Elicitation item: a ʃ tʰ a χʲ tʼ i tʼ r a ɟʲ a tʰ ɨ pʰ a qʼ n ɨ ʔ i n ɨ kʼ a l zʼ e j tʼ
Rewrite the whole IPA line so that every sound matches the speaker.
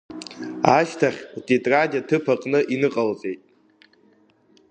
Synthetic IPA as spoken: a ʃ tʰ a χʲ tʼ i tʼ r a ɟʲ a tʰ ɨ pʰ a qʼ n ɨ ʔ i n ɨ qʼ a l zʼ e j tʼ

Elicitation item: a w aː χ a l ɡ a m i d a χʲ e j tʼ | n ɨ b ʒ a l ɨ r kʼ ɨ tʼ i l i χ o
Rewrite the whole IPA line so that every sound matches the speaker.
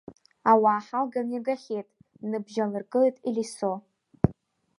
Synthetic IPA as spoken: a w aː ħ a l ɡ a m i ɡ a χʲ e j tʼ | n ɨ b ʒ a l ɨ r kʼ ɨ tʼ i l i s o

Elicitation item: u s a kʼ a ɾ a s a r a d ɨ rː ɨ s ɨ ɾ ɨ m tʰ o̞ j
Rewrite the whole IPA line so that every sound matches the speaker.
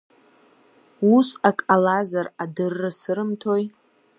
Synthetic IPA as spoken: u s a kʼ a l a z a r a d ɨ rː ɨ s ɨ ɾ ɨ m tʰ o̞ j

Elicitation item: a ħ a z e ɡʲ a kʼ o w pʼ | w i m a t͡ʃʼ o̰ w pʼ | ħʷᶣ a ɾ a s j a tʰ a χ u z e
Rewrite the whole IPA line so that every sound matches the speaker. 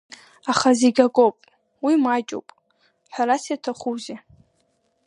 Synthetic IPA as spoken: a χ a z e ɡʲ a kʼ o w pʼ | w i m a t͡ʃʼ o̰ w pʼ | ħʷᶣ a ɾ a s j a tʰ a χ u z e

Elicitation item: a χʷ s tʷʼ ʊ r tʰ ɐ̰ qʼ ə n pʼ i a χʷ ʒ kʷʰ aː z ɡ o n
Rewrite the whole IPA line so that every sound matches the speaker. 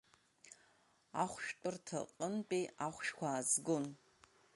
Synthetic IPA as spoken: a χʷ ʃ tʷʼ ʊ r tʰ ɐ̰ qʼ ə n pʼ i a χʷ ʃ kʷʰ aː z ɡ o n

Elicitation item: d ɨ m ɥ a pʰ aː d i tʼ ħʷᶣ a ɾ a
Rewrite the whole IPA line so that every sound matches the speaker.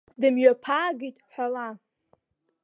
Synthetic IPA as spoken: d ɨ m ɥ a pʰ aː ɡ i tʼ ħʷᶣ a l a

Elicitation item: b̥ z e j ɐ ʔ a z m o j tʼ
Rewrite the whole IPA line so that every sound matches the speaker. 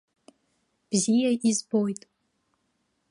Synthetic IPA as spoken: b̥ z i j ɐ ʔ i z b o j tʼ

